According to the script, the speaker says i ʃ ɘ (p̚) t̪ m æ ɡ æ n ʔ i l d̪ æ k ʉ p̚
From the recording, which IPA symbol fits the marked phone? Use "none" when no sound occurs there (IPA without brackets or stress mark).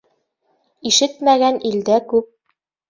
none